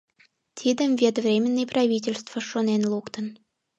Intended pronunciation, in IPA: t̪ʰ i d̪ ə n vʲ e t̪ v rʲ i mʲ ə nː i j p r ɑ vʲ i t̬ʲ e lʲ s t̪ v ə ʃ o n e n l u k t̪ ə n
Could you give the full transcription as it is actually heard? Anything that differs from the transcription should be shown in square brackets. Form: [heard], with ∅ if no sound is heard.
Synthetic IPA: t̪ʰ i d̪ ə [m] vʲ e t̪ v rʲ [e] mʲ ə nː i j p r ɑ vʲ i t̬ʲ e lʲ s t̪ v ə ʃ o n e n l u k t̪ ə n